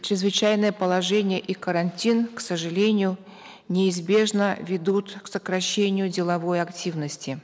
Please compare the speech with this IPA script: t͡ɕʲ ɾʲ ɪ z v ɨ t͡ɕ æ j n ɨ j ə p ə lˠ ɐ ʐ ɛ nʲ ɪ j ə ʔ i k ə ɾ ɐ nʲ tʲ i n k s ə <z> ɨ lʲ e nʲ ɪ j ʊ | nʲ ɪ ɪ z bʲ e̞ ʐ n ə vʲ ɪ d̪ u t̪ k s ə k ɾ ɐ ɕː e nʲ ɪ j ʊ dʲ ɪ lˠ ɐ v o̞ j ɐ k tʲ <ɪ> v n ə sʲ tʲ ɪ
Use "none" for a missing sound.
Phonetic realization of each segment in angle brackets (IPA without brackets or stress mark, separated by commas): ʐ, i